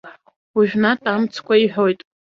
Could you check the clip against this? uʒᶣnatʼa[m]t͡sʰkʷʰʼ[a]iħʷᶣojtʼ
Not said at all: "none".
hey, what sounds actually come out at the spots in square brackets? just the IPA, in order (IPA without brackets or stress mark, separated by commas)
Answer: m, a